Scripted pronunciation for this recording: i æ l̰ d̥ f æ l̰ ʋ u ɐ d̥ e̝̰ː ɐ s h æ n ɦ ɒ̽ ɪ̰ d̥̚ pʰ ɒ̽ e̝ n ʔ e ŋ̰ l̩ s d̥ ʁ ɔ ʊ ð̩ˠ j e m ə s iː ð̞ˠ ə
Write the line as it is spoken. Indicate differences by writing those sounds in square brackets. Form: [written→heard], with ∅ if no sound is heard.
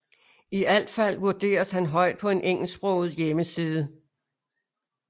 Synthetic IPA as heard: i æ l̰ d̥ f æ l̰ ʋ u ɐ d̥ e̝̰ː ɐ s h æ n ɦ ɒ̽ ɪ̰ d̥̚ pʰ ɒ̽ e̝ n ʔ e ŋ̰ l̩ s [d̥→b̥] ʁ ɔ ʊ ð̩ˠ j e m ə s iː ð̞ˠ ə